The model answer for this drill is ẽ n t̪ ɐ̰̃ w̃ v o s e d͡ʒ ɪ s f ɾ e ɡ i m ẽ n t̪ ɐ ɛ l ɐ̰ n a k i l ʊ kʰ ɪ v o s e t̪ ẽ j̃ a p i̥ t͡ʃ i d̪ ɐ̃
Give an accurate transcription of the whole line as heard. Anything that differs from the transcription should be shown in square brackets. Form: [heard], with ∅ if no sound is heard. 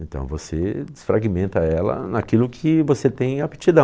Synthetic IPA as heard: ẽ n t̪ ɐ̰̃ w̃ v o s e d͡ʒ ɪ s f ɾ [a] ɡ i m ẽ n t̪ ɐ ɛ l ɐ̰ n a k i l ʊ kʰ ɪ v o s e t̪ ẽ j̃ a p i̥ t͡ʃ i d̪ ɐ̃

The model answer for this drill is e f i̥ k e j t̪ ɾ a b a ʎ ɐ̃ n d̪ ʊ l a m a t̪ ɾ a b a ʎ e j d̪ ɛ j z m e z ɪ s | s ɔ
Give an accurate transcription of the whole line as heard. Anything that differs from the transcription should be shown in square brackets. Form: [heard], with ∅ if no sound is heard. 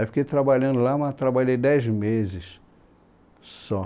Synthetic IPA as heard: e f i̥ k e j t̪ ɾ a b a ʎ ɐ̃ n d̪ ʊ l a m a t̪ ɾ a b a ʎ e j d̪ ɛ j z m e z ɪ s | s ɔ

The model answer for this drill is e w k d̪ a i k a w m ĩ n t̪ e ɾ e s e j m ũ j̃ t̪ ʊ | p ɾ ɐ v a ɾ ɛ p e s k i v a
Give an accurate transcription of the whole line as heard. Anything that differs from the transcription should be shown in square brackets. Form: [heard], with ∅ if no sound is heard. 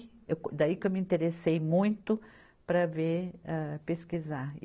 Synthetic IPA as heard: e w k d̪ a i k [e] w m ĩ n t̪ e ɾ e s e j m ũ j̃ t̪ ʊ | p ɾ ɐ v [e] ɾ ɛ p e s k i [z] a

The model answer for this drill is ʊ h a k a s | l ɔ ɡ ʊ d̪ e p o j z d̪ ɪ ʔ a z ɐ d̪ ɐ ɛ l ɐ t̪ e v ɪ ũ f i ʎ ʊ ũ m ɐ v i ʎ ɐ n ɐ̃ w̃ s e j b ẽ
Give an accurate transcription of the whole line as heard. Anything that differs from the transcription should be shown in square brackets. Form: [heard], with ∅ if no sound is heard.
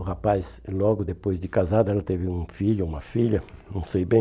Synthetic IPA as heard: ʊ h a [p] a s | l ɔ ɡ ʊ d̪ e p o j z d̪ ɪ [k] a z [a] d̪ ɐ ɛ l ɐ t̪ e v ɪ ũ f i ʎ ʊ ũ m ɐ [f] i ʎ ɐ n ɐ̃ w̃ s e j b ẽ

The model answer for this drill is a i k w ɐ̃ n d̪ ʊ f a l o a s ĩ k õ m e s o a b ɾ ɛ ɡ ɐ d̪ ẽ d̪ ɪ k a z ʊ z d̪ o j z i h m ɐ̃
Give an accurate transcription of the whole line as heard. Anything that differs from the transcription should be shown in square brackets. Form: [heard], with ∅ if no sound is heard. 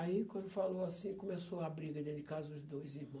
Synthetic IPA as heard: a i k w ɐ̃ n d̪ ʊ f a l o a s ĩ k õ m e s o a b ɾ [i] ɡ ɐ d̪ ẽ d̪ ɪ k a z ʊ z d̪ o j z i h m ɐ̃

